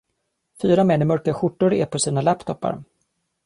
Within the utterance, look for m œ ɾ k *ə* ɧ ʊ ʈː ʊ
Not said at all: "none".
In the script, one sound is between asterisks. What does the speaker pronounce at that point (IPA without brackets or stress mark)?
a